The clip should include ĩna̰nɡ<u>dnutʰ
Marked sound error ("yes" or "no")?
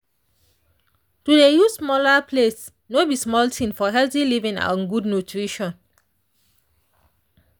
no